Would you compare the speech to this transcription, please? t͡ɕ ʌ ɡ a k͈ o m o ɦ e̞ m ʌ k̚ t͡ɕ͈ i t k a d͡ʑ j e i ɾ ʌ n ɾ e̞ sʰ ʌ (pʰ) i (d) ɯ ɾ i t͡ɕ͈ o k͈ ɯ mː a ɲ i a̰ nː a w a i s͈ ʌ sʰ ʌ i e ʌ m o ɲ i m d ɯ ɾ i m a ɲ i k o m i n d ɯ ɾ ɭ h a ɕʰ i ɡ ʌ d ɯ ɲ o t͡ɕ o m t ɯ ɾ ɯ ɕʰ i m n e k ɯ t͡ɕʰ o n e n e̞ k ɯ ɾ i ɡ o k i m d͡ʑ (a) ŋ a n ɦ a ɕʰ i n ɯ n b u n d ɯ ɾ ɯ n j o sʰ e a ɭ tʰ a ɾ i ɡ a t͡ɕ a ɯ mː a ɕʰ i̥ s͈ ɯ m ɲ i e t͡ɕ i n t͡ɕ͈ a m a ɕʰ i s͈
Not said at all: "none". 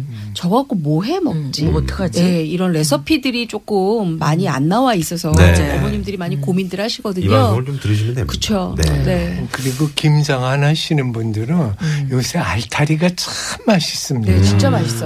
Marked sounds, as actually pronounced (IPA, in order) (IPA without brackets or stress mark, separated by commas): pʰ, d, a